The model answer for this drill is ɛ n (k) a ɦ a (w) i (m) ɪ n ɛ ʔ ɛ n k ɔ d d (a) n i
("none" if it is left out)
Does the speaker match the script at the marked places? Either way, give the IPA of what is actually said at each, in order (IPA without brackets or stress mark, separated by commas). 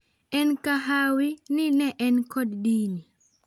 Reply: k, w, n, i